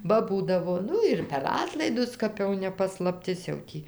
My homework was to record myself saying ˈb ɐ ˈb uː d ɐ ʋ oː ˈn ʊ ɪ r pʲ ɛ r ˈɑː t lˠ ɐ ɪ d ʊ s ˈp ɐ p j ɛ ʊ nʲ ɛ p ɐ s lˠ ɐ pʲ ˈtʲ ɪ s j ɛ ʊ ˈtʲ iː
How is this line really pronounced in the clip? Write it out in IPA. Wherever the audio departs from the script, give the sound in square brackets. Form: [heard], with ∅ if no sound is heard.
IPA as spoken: ˈb ɐ ˈb uː d ɐ ʋ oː ˈn ʊ ɪ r pʲ ɛ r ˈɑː t lˠ ɐ ɪ d ʊ s [ˈk] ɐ p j ɛ ʊ nʲ ɛ p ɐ s lˠ ɐ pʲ ˈtʲ ɪ s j ɛ ʊ ˈtʲ iː